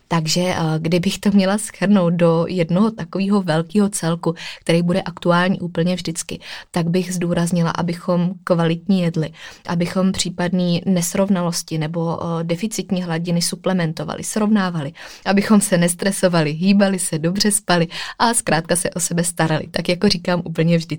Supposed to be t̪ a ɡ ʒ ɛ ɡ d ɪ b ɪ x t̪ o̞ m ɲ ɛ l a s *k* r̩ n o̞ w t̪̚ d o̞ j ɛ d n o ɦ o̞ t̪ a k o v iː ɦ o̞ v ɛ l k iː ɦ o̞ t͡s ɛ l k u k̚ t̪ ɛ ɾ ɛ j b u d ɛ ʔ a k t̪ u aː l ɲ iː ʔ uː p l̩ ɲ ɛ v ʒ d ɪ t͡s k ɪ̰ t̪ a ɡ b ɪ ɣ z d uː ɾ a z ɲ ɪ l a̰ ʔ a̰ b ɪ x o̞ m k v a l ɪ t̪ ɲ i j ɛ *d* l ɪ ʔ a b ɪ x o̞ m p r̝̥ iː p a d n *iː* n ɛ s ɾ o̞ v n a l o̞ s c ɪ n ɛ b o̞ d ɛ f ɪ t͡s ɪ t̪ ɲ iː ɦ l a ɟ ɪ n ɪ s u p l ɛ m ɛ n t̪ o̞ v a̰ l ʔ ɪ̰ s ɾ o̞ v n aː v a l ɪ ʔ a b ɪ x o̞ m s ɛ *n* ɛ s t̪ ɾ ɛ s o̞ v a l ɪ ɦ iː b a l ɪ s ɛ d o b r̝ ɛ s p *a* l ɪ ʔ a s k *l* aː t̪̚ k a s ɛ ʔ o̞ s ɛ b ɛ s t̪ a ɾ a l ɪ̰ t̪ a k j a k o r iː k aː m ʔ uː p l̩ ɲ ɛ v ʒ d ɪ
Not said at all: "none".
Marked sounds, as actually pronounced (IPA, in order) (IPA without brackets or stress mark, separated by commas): x, d, iː, n, a, ɾ